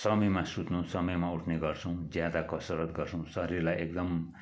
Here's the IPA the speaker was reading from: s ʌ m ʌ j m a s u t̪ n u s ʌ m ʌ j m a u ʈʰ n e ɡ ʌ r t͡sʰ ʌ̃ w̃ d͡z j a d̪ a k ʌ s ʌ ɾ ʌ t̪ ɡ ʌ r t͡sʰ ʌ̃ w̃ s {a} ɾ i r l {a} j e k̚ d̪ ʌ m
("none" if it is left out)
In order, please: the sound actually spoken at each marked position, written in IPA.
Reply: ʌ, a

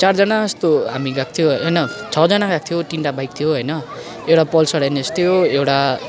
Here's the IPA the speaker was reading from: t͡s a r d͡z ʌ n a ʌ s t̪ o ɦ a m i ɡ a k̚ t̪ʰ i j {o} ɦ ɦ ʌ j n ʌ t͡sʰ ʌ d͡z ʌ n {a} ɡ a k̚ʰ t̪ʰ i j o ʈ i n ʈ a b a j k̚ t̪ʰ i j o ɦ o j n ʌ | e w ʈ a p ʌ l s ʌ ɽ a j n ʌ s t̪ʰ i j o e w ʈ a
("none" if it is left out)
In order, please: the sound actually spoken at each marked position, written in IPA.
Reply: o, a

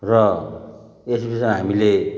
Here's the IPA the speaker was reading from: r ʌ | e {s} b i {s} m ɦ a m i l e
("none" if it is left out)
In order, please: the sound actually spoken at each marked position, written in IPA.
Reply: s, s

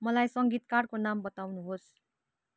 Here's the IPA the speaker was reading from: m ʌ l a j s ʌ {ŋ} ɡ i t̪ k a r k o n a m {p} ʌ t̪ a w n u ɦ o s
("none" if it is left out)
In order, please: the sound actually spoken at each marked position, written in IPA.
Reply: ŋ, b

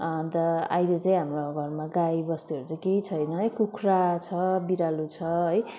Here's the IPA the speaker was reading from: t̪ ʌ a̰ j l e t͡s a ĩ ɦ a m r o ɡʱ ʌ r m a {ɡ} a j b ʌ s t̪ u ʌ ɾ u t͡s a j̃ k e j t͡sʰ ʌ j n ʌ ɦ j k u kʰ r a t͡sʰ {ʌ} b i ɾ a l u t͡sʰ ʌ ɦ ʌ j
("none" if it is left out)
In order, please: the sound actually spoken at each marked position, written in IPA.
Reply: ɡ, ʌ

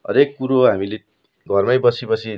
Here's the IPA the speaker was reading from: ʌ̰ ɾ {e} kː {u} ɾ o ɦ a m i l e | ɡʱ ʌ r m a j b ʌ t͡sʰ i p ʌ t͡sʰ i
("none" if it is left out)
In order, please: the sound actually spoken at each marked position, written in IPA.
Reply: e, u

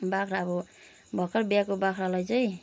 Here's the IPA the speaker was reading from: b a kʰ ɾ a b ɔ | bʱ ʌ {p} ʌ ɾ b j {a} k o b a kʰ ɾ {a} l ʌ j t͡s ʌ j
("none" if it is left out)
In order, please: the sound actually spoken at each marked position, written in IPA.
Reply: k, a, a

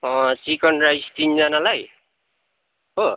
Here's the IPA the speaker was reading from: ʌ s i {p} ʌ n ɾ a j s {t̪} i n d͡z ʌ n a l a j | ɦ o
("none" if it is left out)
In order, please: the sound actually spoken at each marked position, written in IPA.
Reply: k, t̪

